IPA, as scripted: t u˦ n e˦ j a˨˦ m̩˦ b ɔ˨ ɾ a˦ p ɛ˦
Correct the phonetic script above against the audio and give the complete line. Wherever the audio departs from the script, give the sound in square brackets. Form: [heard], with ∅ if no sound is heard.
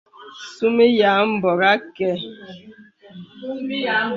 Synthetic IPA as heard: [s] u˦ [m] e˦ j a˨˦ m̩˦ b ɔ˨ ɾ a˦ [k] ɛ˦